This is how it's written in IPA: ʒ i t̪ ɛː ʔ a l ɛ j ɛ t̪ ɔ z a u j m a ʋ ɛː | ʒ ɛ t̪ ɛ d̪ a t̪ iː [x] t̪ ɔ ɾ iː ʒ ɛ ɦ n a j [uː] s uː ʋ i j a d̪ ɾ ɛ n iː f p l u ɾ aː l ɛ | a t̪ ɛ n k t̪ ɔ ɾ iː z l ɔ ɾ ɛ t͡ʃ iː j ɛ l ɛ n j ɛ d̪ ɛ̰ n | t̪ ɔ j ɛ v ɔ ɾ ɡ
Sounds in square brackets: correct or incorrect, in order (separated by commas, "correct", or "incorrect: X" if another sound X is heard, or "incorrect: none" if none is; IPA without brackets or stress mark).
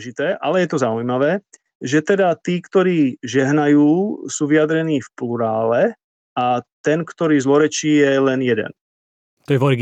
incorrect: k, correct